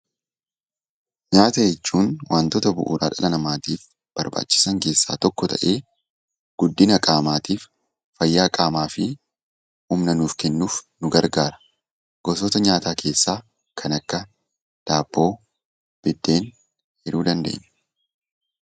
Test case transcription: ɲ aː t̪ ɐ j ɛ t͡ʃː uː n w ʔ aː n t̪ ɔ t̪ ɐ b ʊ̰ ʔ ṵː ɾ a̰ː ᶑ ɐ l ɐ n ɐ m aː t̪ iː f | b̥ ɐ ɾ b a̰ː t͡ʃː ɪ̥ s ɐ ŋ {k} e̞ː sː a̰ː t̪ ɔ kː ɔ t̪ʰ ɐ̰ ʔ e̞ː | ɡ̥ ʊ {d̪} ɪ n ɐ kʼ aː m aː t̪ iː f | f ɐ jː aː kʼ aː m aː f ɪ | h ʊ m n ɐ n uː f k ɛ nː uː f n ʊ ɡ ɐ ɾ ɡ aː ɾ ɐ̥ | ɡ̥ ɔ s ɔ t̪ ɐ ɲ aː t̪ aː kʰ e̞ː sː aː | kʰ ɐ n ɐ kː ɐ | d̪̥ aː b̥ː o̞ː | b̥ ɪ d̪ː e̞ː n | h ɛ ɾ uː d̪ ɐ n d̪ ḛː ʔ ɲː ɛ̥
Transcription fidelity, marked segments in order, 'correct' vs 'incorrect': correct, incorrect: d̪ː

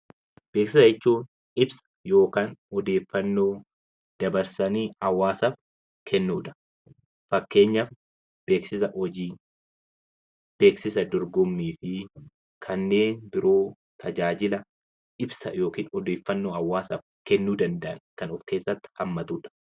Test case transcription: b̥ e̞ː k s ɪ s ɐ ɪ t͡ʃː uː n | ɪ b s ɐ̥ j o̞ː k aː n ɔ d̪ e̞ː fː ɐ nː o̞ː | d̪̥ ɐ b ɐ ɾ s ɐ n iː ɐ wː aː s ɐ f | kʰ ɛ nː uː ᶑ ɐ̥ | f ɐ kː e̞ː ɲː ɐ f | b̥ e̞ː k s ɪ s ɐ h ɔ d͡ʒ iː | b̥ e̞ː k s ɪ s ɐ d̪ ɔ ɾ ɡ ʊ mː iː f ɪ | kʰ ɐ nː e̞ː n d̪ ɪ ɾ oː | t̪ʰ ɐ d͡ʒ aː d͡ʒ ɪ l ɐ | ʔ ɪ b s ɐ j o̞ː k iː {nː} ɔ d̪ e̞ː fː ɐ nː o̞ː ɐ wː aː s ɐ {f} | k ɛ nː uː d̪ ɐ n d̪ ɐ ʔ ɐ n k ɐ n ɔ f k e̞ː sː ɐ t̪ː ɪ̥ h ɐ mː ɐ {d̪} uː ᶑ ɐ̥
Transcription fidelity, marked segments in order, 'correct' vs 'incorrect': incorrect: n, correct, incorrect: t̪

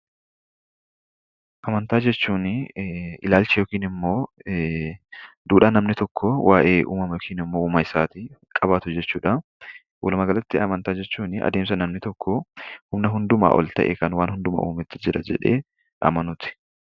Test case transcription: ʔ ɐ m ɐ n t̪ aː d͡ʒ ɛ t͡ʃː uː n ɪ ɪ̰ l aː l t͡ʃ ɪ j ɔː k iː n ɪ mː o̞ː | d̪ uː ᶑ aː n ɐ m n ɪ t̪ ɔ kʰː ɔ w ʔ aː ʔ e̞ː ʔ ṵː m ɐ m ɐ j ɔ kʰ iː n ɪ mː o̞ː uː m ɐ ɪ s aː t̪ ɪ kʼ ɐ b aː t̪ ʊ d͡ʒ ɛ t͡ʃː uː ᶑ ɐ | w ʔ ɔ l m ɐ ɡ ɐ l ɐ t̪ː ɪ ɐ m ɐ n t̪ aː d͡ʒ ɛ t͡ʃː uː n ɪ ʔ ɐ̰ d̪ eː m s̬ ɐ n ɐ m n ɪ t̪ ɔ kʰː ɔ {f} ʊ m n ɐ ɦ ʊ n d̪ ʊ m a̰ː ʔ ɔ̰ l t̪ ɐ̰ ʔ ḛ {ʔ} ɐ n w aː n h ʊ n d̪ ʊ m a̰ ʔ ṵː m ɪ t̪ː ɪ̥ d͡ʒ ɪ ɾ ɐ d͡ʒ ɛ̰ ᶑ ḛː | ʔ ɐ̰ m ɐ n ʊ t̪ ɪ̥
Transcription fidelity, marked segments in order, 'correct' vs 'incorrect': incorrect: h, incorrect: k

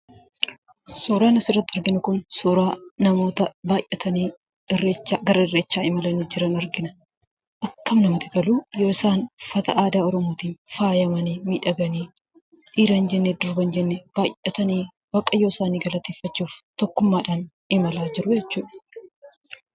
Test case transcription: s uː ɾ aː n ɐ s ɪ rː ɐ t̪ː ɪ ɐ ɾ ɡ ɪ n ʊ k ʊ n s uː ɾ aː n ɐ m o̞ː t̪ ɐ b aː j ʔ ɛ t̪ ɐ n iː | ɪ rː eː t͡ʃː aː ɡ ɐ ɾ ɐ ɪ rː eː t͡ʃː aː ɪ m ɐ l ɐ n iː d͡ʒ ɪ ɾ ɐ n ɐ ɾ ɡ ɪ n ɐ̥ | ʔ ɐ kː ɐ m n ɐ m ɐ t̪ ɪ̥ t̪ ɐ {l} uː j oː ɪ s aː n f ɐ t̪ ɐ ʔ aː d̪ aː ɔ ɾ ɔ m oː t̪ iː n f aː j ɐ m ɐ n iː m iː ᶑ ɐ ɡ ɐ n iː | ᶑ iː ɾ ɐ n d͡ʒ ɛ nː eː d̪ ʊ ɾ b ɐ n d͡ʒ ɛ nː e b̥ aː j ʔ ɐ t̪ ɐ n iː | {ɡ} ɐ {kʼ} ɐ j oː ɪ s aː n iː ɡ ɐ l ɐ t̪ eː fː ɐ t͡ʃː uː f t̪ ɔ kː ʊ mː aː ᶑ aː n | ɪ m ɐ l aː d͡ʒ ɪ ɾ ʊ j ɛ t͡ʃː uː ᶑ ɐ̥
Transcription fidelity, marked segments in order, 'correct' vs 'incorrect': correct, incorrect: b, correct

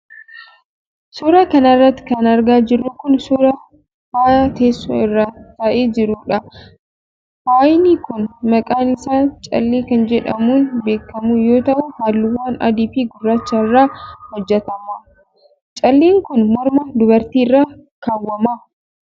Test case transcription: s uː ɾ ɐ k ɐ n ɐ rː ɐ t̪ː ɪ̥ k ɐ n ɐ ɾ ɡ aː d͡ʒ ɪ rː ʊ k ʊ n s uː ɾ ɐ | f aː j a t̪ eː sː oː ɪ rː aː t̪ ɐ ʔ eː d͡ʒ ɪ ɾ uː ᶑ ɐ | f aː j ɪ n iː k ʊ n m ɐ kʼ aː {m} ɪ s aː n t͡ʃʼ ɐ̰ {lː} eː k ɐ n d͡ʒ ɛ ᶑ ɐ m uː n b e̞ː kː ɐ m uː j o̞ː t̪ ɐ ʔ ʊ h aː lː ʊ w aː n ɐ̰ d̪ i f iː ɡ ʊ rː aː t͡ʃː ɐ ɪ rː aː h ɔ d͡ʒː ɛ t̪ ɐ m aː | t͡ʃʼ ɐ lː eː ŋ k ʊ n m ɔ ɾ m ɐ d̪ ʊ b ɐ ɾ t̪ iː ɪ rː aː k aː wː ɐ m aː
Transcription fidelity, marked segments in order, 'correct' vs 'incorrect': incorrect: n, correct

